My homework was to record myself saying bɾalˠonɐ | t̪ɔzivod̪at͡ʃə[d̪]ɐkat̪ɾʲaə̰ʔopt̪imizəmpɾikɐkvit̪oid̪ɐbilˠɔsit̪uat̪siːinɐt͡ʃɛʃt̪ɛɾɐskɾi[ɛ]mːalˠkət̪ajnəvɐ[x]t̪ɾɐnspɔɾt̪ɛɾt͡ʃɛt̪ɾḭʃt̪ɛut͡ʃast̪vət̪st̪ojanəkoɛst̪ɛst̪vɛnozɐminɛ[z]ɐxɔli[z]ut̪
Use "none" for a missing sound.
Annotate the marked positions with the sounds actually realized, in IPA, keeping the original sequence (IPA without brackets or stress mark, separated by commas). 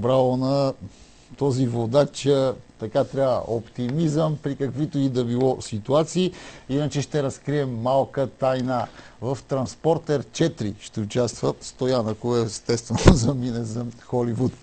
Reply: t̪, ɛ, f, z, v